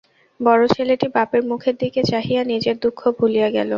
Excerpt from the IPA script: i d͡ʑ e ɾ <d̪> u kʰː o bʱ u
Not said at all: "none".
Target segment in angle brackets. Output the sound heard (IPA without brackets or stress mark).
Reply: d̪